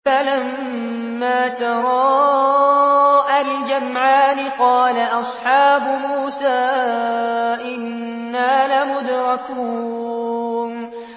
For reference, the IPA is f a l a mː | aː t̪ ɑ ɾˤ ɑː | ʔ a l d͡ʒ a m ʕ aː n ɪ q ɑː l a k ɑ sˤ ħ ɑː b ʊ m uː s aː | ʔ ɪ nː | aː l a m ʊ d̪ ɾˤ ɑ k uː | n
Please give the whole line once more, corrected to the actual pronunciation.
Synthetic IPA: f a l a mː | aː t̪ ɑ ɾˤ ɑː | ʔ a l d͡ʒ a m ʕ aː n ɪ q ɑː l a ʔ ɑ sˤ ħ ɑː b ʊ m uː s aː | ʔ ɪ nː | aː l a m ʊ d̪ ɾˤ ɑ k uː | n